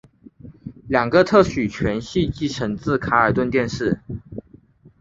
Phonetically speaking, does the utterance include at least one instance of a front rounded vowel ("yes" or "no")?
yes